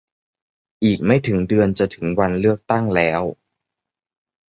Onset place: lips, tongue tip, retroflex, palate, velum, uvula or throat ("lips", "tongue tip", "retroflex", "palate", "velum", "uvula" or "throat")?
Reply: throat